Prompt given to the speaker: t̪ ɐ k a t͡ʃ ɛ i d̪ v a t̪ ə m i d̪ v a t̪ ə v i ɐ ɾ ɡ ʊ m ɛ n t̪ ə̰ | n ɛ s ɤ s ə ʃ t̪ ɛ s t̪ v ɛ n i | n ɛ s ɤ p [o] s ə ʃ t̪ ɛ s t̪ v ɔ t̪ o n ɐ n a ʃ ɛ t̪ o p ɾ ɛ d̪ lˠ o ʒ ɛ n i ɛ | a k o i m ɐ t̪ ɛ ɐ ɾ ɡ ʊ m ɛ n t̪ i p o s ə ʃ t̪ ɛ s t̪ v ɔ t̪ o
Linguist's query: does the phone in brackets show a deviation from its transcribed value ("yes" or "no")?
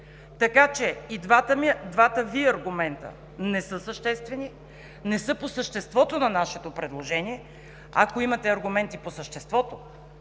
no